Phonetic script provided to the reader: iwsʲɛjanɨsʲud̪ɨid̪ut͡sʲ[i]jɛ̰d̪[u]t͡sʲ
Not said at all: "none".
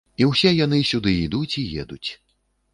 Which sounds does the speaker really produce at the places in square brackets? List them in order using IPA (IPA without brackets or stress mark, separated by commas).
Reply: i, u